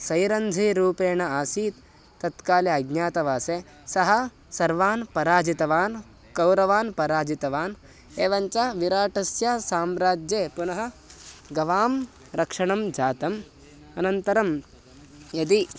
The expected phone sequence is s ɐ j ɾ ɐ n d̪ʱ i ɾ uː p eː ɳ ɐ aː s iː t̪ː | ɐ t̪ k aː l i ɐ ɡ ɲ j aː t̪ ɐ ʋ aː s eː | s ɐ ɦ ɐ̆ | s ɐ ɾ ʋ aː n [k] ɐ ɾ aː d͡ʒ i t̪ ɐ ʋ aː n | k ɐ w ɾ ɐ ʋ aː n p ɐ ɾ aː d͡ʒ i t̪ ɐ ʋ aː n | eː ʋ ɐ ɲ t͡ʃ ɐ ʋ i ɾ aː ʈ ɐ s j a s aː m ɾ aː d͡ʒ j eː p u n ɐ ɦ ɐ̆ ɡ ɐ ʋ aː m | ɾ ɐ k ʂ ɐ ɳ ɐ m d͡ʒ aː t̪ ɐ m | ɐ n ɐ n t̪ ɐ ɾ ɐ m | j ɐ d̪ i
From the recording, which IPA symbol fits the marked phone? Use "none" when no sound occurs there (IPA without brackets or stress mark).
p